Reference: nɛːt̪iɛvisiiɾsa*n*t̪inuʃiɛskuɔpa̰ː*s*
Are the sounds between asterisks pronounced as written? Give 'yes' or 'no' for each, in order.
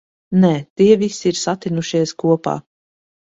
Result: no, no

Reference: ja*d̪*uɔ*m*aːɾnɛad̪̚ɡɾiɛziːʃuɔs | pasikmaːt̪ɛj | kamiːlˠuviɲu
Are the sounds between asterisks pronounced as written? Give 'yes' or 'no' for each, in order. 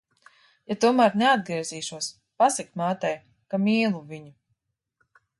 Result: no, yes

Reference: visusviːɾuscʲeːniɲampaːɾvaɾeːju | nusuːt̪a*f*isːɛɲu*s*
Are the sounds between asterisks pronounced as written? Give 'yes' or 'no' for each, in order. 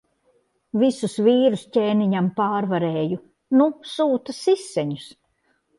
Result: no, yes

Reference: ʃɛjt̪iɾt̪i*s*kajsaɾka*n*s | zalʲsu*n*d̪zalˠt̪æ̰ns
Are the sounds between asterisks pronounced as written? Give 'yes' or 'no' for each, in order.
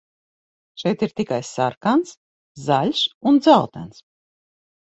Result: no, yes, yes

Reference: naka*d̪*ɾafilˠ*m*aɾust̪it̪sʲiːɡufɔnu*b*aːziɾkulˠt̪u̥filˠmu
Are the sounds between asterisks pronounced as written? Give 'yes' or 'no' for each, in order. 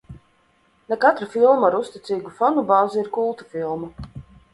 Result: no, yes, yes

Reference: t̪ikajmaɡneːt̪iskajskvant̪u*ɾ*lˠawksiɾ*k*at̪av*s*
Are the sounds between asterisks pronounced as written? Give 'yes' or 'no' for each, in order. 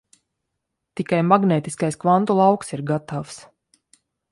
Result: no, no, yes

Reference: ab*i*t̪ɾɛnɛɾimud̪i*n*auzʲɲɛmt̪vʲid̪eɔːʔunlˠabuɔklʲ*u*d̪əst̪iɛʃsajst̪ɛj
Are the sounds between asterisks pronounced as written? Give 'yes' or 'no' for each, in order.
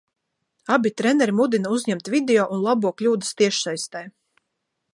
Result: yes, yes, no

